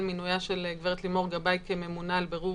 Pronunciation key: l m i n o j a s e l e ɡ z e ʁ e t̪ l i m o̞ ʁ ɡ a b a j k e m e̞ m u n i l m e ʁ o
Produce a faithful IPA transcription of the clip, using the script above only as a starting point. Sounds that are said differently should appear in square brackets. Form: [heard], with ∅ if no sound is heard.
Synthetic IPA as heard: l m i n [u] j a [ʃ] e l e ɡ [v] e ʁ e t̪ l i m o̞ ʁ ɡ a b a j k e m e̞ m u n [a] l [b] e ʁ [u]